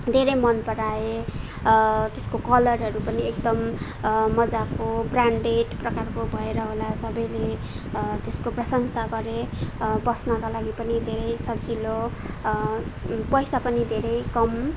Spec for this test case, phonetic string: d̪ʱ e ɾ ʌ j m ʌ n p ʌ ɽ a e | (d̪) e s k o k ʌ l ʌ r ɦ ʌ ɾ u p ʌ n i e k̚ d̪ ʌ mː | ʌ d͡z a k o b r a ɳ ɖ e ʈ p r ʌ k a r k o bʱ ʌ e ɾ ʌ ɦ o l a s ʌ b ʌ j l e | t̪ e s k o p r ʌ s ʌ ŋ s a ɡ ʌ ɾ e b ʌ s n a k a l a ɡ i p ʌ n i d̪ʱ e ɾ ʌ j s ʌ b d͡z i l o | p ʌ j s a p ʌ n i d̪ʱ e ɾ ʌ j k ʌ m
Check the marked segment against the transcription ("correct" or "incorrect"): incorrect